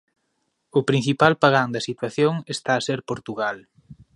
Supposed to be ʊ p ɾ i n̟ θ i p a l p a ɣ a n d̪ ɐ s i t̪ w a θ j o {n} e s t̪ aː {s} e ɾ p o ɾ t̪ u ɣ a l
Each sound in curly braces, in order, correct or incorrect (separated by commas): incorrect, correct